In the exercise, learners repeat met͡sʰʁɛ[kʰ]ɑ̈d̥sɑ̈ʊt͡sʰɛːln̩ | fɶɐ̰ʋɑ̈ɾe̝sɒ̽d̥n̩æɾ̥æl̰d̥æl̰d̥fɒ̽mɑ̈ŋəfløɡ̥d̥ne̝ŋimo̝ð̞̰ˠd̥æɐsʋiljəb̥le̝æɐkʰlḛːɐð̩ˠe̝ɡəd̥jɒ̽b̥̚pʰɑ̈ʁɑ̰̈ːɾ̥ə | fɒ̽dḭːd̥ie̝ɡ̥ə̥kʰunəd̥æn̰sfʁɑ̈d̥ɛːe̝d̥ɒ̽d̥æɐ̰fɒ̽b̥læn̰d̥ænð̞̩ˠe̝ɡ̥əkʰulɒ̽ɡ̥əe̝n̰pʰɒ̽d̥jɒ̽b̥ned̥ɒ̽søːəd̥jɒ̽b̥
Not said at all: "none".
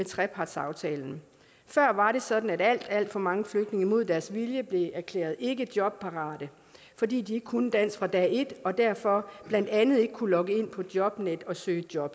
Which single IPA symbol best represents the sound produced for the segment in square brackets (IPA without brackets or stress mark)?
pʰ